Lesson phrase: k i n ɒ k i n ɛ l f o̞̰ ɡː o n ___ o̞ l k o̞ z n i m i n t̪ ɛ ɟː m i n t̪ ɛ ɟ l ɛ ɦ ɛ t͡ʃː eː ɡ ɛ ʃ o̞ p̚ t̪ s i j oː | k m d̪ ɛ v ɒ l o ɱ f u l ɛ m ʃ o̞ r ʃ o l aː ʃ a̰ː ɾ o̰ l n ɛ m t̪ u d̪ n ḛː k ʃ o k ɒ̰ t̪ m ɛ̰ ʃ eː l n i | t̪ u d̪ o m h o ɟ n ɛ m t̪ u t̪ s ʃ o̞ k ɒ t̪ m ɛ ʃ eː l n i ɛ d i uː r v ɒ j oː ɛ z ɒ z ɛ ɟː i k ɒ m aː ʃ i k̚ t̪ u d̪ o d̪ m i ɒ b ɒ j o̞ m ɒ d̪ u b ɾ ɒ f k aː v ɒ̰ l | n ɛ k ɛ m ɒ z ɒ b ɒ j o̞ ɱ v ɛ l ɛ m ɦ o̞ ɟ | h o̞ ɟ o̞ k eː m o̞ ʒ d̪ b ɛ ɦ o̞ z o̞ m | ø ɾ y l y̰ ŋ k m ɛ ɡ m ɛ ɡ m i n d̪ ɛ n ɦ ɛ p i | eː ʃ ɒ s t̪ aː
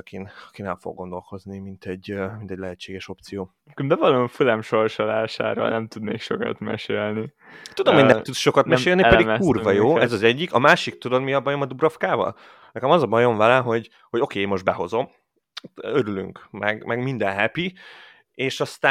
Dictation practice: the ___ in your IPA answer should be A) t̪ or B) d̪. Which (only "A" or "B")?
B